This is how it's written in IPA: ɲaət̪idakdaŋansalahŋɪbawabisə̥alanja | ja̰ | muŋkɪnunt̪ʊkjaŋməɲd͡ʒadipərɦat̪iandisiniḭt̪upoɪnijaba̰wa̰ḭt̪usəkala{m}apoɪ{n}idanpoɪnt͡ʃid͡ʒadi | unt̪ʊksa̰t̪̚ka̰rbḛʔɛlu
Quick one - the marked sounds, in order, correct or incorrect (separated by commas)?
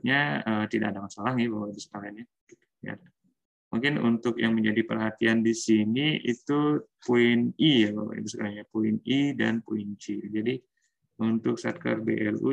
incorrect, correct